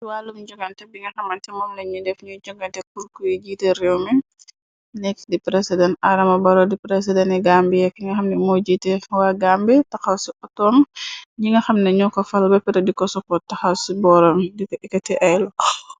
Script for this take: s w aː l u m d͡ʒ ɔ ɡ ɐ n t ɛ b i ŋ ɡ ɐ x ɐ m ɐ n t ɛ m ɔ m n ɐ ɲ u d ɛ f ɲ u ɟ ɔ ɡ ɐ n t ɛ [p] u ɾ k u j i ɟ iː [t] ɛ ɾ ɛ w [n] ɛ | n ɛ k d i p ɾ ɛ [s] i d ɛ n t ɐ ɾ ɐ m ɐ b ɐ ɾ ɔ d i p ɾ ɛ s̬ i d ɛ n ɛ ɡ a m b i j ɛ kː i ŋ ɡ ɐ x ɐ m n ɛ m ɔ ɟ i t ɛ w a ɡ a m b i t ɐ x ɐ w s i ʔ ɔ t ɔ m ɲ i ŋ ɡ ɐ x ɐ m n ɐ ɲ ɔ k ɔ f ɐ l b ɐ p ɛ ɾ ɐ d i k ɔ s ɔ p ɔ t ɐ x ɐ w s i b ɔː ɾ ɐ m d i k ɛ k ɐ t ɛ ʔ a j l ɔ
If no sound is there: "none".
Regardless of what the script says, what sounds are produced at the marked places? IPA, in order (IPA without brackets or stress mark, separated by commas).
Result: k, t, m, s